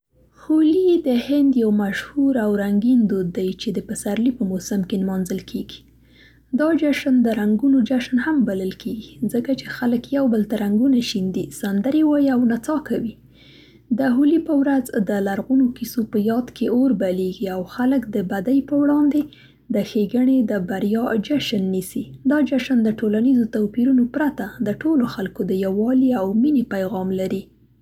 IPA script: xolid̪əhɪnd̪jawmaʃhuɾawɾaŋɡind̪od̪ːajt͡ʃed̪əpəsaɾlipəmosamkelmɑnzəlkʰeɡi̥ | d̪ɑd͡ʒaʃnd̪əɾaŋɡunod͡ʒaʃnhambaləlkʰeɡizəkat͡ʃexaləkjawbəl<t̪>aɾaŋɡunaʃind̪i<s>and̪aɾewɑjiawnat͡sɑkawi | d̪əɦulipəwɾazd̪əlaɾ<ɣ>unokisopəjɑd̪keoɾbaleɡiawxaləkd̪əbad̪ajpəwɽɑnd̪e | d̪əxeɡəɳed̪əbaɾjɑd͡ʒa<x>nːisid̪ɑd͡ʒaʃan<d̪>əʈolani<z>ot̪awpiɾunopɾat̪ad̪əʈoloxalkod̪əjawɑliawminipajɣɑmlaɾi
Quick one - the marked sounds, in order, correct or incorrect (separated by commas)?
correct, correct, correct, incorrect, correct, correct